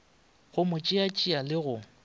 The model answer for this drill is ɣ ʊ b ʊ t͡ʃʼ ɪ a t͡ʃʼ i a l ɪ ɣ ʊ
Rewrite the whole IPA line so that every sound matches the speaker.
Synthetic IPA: ɣ ʊ m ʊ t͡ʃʼ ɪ a t͡ʃʼ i a l ɪ ɣ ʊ

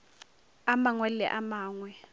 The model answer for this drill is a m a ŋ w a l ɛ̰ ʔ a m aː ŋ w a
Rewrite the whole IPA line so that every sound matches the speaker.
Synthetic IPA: a m a ŋ w ɛ l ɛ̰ ʔ a m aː ŋ w ɛ

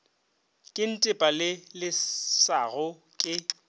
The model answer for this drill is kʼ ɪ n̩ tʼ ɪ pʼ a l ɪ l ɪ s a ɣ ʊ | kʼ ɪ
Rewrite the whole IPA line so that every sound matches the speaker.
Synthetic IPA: kʼ ɪ n̩ tʼ ɪ pʼ a l ɪ l ɪ s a ɣ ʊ | kʼ ɪ

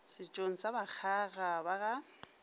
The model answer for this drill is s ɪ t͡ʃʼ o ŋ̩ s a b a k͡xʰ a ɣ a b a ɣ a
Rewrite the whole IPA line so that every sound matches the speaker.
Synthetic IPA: s ɪ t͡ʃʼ o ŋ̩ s a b a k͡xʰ a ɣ a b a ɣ a

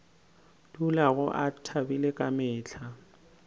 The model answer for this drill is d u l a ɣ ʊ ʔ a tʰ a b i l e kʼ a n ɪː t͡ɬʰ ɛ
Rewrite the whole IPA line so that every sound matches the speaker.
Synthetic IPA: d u l a ɣ ʊ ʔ a tʰ a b i l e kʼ a m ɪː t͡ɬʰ a

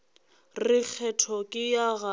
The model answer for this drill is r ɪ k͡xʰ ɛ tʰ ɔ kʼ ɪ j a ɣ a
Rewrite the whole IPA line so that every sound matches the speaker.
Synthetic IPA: r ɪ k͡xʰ ɛ tʰ ɔ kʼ ɪ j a ɣ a

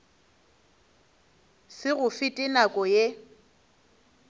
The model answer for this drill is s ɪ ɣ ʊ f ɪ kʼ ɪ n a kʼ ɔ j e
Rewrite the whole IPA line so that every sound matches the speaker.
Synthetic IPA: s ɪ ɣ ʊ f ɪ tʼ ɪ n a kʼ ɔ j e

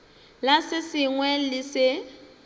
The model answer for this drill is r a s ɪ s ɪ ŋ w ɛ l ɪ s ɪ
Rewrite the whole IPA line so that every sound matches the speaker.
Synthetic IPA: l a s ɪ s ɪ ŋ w ɛ l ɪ s ɪ

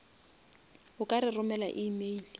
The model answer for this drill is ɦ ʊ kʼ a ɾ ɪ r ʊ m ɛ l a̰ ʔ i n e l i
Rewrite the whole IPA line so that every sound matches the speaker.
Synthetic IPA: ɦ ʊ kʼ a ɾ ɪ r ʊ m ɛ l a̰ ʔ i m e l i

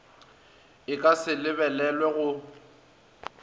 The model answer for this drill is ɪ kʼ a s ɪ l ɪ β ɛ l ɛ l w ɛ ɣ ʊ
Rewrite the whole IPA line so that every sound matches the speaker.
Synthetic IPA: ɪ kʼ a s ɪ l ɪ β ɛ l ɛ l w ɛ ɣ ʊ

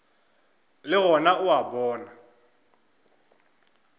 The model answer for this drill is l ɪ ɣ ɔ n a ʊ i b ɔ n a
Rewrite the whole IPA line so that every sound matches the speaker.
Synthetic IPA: l ɪ ɣ ɔ n a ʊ a b ɔː n a

